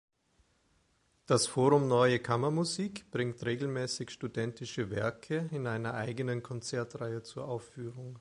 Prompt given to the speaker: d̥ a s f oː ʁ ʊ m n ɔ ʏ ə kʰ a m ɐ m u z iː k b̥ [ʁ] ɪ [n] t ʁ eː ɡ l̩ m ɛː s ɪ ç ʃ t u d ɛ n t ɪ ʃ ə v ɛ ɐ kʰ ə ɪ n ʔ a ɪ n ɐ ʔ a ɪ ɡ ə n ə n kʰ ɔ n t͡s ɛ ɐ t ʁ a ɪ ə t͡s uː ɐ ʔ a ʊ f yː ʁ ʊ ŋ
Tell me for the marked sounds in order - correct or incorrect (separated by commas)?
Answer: correct, incorrect